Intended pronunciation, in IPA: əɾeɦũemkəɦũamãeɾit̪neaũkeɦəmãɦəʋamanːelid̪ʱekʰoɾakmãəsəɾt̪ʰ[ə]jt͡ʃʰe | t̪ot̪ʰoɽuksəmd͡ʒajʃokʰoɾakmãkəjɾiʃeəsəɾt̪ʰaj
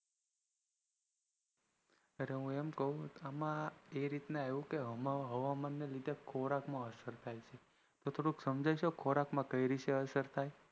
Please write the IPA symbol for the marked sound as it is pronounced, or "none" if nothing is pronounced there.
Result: a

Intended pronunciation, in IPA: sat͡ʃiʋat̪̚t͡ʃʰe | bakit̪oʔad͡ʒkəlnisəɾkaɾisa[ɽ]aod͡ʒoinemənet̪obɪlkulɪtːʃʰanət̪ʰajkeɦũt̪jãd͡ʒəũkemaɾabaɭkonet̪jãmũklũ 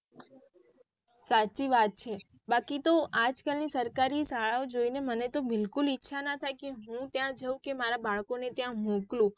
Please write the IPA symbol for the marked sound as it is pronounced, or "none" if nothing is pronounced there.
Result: ɭ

